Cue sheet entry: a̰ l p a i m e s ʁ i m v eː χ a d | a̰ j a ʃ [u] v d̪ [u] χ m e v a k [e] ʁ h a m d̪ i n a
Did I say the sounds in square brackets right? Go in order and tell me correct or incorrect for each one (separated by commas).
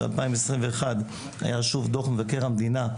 correct, incorrect, correct